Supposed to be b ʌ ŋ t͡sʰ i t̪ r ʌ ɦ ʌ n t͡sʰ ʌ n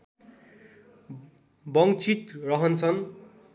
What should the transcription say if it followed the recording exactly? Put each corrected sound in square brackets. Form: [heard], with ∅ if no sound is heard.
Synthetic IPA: b ʌ ŋ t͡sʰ i t̪ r ʌ ɦ ʌ n t͡sʰ ʌ n

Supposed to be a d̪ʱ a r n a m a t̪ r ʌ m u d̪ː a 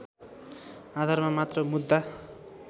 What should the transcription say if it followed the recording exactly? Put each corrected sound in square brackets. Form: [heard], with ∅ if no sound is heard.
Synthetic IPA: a d̪ʱ a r [m] a m a t̪ r ʌ m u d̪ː a

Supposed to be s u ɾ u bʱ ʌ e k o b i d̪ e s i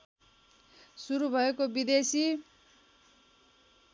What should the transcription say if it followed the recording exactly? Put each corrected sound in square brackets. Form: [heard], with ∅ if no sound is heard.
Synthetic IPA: s u ɾ u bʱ ʌ e k o b i d̪ e s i

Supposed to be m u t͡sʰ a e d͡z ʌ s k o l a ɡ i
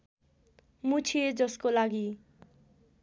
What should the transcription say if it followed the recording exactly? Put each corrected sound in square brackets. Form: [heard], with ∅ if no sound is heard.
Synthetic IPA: m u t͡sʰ [i] e d͡z ʌ s k o l a ɡ i

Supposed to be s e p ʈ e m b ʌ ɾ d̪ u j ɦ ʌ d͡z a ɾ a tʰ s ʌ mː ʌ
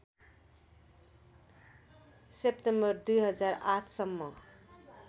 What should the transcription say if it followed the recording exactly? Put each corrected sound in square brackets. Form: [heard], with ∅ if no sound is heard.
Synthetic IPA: s e p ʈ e m b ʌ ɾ d̪ u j ɦ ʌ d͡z a ɾ a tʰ s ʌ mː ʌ

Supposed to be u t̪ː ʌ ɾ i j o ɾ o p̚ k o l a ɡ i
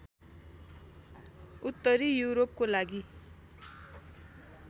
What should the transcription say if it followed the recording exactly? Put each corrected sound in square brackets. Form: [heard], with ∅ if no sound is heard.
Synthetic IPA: u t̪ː ʌ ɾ i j [u] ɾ o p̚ k o l a ɡ i

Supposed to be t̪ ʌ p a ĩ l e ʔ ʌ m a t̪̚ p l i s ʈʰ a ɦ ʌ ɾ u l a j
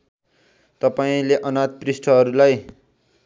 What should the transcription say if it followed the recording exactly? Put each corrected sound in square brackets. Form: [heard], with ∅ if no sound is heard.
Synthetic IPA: t̪ ʌ p a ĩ l e ʔ ʌ [n] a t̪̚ p [r] i s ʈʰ [ʌ] ɦ ʌ ɾ u l a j

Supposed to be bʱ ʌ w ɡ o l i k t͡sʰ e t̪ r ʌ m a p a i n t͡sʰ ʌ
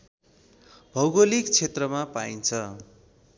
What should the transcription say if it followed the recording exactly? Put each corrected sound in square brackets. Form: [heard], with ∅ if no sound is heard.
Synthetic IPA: bʱ ʌ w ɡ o l i k t͡sʰ e t̪ r ʌ m a p a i n t͡sʰ ʌ

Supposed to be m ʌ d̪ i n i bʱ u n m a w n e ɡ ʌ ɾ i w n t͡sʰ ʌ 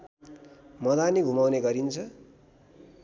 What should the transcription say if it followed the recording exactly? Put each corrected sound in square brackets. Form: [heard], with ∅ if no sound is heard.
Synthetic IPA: m ʌ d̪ [a] n i [ɡʱ] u [∅] m a w n e ɡ ʌ ɾ i [∅] n t͡sʰ ʌ

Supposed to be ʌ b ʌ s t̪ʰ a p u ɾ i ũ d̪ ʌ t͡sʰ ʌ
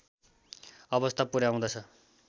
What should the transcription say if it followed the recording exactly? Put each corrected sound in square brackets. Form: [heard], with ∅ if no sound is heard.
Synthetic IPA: ʌ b ʌ s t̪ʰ a p u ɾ [a] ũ d̪ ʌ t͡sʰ ʌ

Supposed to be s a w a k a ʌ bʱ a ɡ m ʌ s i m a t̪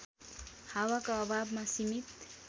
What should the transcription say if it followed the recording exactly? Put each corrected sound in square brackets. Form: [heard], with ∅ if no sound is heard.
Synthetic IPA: [h] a w a k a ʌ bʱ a [b] m [a] s i m [i] t̪

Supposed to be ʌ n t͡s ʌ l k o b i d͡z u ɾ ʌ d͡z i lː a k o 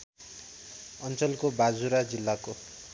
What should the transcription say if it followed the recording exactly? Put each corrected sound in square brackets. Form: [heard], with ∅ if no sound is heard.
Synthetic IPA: ʌ n t͡s ʌ l k o b [a] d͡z u ɾ [a] d͡z i lː a k o

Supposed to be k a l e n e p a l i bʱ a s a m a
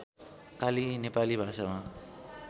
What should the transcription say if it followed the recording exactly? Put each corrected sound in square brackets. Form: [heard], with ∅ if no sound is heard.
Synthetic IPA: k a l [i] n e p a l i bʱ a s a m a

